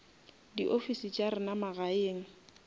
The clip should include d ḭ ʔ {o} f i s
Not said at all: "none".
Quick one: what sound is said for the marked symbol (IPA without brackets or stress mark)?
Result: o